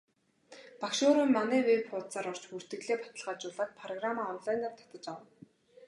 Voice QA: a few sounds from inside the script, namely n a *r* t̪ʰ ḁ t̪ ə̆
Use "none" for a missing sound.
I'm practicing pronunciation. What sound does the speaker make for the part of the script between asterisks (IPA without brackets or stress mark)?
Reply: r